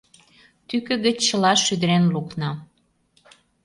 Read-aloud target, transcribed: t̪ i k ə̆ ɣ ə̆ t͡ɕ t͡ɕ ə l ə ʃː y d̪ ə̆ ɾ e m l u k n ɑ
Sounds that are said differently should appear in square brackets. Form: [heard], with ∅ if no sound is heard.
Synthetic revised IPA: t̪ [y] k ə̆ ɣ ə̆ t͡ɕ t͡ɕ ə l [ɑ] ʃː y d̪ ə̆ ɾ e [n] l u k n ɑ